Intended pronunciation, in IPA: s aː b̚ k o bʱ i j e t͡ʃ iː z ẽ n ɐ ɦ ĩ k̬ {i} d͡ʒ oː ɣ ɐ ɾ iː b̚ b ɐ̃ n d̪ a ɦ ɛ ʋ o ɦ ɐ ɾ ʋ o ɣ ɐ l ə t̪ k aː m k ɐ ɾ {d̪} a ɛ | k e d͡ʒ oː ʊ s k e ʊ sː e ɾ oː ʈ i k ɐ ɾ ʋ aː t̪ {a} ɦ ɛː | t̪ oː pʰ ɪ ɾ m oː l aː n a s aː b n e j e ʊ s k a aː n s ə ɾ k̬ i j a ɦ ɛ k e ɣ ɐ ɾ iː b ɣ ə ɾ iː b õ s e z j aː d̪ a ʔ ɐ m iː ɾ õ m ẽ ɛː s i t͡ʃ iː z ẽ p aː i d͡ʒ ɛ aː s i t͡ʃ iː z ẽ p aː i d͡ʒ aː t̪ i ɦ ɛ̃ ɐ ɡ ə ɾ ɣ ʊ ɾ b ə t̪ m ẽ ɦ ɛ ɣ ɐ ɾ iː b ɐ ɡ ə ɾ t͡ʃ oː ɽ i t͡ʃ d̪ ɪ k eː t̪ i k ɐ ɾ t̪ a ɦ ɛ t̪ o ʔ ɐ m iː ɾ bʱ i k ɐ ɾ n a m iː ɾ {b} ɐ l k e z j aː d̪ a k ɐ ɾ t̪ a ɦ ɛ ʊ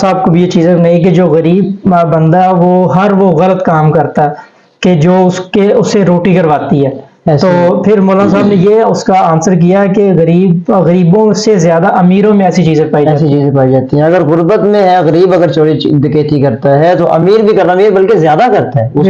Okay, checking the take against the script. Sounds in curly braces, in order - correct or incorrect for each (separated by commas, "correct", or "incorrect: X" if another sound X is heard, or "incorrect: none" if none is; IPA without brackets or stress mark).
incorrect: e, incorrect: t̪, incorrect: i, correct